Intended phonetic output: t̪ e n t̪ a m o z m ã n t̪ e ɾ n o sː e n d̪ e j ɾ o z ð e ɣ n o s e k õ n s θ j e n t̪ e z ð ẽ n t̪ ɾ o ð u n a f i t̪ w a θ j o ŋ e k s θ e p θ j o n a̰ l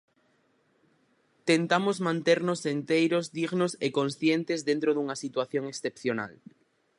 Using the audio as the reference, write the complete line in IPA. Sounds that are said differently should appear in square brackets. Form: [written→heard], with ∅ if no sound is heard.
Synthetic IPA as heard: t̪ e n t̪ a m o z m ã n t̪ e ɾ n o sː e n [d̪→t̪] e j ɾ o z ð [e→i] ɣ n o s e k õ n s θ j e n t̪ e z ð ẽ n t̪ ɾ o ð u [n→ŋ] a [f→s] i t̪ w a θ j o ŋ e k s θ e p θ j o n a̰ l